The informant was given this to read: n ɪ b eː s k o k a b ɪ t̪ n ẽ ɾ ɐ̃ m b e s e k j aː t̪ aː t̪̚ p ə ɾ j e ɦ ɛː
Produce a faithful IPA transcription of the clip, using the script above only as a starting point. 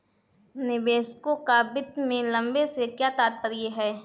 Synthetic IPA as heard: n ɪ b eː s k o k a b ɪ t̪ m ẽ l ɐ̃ m b e s e k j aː t̪ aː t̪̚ p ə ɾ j e ɦ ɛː